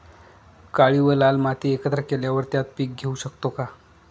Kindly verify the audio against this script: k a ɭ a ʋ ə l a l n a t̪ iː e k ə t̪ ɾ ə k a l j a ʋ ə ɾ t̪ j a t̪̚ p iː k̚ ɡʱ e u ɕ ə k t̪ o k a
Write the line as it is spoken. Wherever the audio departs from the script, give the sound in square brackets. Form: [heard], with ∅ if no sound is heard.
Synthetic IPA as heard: k a ɭ [i] ʋ ə l a l [m] a t̪ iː e k ə t̪ ɾ ə k [e] l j a ʋ ə ɾ t̪ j a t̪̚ p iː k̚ ɡʱ e u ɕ ə k t̪ o k a

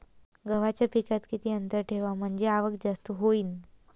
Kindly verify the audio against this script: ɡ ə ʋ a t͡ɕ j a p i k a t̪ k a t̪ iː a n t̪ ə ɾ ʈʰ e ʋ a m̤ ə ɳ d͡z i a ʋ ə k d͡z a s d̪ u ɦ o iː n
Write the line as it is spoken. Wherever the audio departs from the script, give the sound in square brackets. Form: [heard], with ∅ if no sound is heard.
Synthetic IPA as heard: ɡ ə ʋ a t͡ɕ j a p i k a t̪ k [i] t̪ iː [ə] n t̪ ə ɾ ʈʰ e ʋ a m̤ ə ɳ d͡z [e] a ʋ ə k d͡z a s [t̪] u ɦ o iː n

